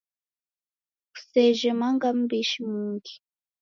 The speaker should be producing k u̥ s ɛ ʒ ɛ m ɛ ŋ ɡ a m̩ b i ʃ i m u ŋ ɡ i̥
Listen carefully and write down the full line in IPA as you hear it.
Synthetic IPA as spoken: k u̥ s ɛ ʒ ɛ m a ŋ ɡ a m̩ b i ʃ i m u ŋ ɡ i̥